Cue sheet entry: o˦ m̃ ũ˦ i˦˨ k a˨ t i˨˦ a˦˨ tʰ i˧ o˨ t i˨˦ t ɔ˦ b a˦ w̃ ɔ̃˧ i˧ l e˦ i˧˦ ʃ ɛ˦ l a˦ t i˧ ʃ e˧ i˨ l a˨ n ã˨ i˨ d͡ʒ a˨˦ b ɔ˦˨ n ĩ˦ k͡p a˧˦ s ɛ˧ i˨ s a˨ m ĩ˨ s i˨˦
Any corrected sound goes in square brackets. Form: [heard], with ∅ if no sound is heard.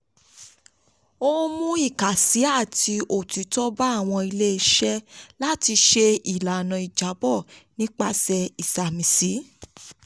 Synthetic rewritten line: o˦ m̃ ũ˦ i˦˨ k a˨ [s] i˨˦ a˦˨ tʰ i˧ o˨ t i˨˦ t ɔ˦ b [a˦˨] w̃ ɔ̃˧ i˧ l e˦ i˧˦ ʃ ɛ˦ l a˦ t i˧ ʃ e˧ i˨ l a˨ n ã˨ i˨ d͡ʒ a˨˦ b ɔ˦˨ n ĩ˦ k͡p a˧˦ s ɛ˧ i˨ s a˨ m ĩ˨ s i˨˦